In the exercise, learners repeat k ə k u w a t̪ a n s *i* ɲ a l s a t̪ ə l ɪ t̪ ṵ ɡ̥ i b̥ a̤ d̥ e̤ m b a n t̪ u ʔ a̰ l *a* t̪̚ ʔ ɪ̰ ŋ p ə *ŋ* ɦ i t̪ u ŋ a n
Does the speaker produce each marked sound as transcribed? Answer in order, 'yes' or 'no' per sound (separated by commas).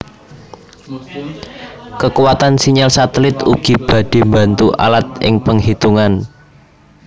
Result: yes, yes, yes